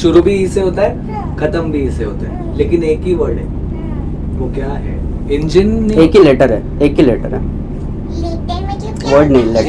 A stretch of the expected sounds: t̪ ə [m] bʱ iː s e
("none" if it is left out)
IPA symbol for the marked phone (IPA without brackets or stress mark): m